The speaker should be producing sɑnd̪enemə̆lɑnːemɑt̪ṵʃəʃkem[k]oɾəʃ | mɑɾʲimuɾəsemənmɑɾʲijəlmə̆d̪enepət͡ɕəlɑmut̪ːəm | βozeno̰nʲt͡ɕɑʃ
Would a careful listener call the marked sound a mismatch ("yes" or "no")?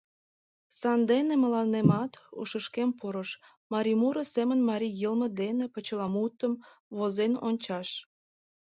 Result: yes